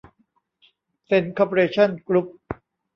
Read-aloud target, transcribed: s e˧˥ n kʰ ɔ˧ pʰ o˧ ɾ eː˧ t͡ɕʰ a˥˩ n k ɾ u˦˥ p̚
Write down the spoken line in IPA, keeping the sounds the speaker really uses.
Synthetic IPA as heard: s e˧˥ n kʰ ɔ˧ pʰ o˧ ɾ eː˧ t͡ɕʰ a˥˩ n k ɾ u˦˥ p̚

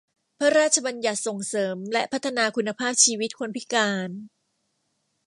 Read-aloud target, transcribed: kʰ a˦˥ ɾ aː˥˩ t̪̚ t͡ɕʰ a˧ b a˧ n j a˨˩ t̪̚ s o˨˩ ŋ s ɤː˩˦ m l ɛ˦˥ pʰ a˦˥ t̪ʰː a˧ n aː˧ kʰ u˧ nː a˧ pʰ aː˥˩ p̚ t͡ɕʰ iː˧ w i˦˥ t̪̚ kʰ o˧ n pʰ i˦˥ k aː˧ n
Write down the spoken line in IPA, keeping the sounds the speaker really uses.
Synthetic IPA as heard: pʰ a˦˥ ɾ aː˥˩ t̪̚ t͡ɕʰ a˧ b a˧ n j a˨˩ t̪̚ s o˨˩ ŋ s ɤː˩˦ m l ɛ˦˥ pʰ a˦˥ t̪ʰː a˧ n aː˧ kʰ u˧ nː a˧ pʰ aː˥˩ p̚ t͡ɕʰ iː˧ w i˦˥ t̪̚ kʰ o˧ n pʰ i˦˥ k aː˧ n

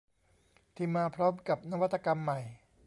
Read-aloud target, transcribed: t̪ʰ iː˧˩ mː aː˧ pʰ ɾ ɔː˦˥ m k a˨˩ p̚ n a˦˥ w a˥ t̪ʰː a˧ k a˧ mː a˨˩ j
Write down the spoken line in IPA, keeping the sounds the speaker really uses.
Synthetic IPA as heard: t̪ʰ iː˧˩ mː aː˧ pʰ ɾ ɔː˦˥ m k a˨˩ p̚ n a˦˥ w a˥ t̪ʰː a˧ k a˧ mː a˨˩ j

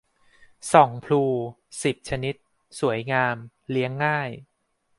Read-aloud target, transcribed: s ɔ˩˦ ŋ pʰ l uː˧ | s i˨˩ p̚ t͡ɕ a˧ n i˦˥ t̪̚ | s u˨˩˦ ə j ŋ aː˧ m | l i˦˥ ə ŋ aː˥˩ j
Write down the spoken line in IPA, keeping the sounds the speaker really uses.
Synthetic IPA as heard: s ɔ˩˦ ŋ pʰ l uː˧ | s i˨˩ p̚ t͡ɕʰ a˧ n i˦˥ t̪̚ | s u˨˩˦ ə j ŋ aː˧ m | l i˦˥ ə ŋː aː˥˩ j

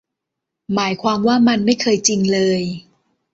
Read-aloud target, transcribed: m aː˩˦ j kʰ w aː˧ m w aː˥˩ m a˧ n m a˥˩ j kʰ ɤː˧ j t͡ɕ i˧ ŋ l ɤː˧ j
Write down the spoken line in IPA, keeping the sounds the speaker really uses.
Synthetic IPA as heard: m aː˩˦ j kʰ w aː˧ m w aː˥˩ m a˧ n m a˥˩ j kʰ ɤː˧ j t͡ɕ i˧ ŋ l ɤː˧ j

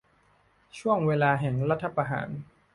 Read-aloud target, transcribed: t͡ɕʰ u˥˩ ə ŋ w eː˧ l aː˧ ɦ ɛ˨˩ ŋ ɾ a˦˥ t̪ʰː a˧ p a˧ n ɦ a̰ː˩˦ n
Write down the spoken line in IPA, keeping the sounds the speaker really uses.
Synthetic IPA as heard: t͡ɕʰ u˥˩ ə ŋ w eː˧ l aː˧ ɦ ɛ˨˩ ŋ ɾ a˦˥ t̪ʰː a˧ p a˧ ɦ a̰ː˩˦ n

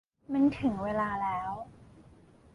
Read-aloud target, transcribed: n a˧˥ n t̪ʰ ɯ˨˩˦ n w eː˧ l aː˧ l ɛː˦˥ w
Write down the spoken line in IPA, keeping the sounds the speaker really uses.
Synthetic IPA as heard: m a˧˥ n t̪ʰ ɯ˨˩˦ ŋ w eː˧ l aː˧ l ɛː˦˥ w

